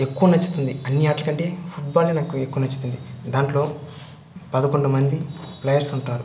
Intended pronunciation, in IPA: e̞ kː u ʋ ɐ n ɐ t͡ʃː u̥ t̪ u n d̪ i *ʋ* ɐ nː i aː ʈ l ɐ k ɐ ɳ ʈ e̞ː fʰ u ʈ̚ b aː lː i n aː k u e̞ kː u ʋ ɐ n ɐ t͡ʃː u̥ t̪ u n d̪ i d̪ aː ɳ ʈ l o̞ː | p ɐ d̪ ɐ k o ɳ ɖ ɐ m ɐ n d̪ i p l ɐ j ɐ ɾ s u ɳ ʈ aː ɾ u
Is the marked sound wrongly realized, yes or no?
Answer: yes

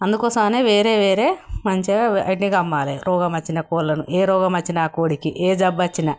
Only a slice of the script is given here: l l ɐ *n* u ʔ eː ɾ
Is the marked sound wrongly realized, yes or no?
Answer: no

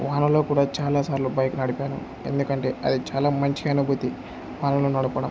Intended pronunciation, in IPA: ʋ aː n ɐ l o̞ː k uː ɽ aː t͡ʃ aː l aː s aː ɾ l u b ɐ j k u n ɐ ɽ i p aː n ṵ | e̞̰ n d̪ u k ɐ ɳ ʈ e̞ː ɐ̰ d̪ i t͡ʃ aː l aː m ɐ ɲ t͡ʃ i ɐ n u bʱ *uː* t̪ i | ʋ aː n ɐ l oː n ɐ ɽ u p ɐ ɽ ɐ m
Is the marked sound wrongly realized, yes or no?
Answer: yes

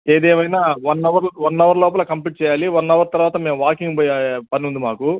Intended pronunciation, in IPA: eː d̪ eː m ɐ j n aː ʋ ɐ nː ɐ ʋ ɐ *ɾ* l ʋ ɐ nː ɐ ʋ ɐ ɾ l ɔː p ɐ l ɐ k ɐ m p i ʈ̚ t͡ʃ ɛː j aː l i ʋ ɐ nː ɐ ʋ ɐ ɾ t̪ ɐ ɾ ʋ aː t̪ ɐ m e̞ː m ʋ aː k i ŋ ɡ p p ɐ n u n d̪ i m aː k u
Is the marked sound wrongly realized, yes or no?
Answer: no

